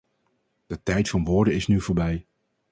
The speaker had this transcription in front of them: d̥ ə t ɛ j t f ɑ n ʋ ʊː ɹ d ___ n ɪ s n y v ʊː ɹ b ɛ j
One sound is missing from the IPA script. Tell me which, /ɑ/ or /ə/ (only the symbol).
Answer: ə